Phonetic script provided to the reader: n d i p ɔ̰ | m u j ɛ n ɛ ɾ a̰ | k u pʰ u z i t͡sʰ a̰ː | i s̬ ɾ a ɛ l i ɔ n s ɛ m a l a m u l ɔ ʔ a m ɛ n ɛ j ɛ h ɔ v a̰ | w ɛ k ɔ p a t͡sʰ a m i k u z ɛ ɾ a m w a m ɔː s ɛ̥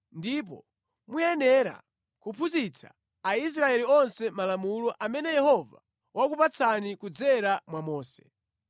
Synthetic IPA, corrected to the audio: n d i p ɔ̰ | m u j ɛ n ɛ ɾ a̰ | k u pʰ u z i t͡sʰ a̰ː | i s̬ ɾ a ɛ l i ɔ n s ɛ m a l a m u l ɔ ʔ a m ɛ n ɛ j ɛ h ɔ v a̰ | w a k u p a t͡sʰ a n i k u d͡z ɛ ɾ a m w a m ɔː s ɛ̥